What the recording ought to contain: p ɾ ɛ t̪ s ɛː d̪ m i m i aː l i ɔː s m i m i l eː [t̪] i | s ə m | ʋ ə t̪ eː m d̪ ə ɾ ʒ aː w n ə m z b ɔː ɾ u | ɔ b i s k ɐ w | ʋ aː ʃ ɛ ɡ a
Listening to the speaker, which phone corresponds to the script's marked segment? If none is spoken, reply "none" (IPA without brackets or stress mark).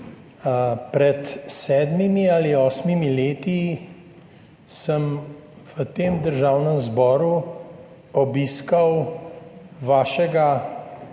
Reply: t̪